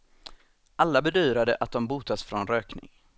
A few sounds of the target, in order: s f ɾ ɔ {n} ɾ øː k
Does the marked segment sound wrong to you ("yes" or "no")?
no